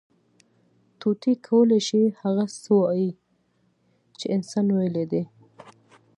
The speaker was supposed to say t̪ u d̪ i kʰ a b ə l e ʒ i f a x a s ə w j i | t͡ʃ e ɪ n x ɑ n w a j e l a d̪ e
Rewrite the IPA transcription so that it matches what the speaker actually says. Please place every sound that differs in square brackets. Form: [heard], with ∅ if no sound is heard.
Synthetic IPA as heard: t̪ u [t̪] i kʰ a [w] ə l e [ʃ] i [h] a [ɣ] a s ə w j i | t͡ʃ e ɪ n [s] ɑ n w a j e l [e] d̪ e